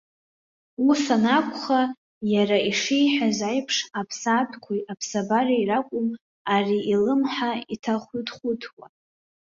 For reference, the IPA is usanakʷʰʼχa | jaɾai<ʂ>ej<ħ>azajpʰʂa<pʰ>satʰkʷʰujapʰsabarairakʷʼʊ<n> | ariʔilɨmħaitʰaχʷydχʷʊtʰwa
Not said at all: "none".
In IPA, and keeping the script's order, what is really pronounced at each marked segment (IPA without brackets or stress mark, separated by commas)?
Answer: ʂ, ħ, pʰ, m